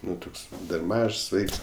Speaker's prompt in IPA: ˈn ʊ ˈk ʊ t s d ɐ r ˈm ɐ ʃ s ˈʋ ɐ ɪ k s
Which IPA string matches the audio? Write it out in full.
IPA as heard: ˈn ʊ ˈt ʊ k s d ɐ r ˈm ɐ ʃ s ˈʋ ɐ ɪ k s